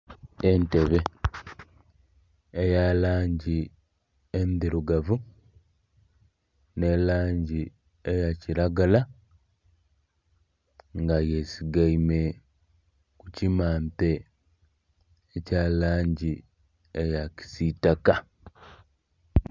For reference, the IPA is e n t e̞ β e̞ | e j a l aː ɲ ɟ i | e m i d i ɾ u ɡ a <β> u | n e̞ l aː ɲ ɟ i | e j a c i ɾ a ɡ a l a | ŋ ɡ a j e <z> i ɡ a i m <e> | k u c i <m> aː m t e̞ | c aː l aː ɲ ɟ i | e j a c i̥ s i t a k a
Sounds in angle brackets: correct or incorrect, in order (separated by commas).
incorrect, incorrect, correct, correct